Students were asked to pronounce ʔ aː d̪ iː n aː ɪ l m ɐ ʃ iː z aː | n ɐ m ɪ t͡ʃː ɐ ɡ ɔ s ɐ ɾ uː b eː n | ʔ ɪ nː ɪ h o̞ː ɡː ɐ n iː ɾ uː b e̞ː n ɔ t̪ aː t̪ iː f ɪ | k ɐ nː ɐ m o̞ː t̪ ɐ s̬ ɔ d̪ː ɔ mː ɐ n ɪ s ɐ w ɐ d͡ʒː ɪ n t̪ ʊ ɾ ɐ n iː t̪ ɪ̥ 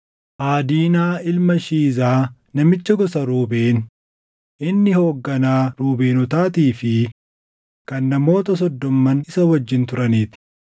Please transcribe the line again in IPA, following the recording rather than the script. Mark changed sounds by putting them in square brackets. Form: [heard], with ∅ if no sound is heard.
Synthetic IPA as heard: ʔ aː d̪ iː n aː ɪ l m ɐ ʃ iː z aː | n ɐ m ɪ t͡ʃː ɐ ɡ ɔ s ɐ ɾ uː b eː n | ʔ ɪ nː ɪ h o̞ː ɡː ɐ n [aː] ɾ uː b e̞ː n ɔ t̪ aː t̪ iː f ɪ | k ɐ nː ɐ m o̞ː t̪ ɐ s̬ ɔ d̪ː ɔ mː ɐ n ɪ s ɐ w ɐ d͡ʒː ɪ n t̪ ʊ ɾ ɐ n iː t̪ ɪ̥